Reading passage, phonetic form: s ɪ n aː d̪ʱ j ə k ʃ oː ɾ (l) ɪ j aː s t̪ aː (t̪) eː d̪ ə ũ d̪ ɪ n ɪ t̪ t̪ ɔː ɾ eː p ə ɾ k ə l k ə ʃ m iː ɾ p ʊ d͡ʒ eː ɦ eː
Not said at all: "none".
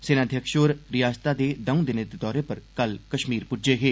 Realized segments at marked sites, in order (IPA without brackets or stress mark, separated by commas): ɾ, d̪